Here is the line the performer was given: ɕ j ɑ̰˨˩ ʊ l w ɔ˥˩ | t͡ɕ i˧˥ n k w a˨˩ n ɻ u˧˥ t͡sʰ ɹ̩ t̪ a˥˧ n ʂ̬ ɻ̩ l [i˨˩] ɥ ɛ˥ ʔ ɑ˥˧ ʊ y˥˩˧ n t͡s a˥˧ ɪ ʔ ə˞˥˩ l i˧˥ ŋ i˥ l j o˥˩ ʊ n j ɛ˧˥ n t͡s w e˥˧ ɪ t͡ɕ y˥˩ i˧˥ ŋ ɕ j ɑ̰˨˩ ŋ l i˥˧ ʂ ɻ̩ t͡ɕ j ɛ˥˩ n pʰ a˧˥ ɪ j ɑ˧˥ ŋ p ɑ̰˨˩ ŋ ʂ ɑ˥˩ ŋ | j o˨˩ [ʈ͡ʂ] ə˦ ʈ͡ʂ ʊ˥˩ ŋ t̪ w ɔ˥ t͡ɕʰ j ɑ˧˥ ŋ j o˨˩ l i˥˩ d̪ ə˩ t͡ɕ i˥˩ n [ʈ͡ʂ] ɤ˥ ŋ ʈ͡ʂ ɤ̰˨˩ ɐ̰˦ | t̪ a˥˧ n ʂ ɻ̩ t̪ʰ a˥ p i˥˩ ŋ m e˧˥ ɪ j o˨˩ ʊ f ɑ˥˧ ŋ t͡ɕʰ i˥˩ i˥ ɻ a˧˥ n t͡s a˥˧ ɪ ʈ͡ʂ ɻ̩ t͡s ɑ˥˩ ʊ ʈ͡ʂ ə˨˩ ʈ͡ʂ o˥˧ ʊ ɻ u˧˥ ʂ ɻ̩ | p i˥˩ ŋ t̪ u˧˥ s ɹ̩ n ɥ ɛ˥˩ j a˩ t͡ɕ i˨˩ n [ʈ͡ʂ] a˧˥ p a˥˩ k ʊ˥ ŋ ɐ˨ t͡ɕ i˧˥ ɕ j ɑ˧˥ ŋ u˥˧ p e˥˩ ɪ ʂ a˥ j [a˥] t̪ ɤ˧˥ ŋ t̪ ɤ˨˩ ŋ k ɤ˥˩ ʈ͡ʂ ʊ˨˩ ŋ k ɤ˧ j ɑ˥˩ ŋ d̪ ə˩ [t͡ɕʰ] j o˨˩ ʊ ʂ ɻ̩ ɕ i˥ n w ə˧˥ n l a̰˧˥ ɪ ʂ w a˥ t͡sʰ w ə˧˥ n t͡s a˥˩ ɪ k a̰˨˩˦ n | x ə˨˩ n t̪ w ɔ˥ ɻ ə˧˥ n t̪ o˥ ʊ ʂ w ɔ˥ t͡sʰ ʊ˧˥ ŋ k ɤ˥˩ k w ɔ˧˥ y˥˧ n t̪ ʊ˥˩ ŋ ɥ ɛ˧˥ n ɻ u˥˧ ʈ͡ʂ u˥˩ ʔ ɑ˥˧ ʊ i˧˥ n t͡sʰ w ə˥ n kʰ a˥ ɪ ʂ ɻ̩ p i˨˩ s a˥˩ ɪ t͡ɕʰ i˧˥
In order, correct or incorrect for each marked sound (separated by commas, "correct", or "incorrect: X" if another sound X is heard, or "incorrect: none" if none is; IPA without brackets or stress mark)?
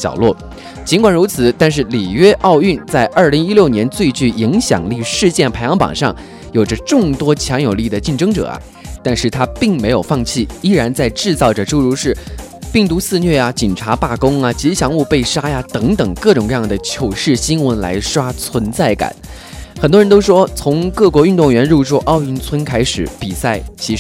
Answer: correct, correct, correct, incorrect: ʈ͡ʂʰ, incorrect: a˨, correct